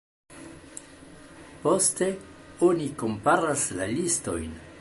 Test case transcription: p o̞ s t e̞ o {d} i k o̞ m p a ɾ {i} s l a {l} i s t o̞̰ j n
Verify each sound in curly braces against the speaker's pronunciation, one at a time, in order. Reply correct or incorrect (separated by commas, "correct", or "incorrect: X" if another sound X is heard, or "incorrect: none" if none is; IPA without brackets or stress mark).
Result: incorrect: n, incorrect: a, correct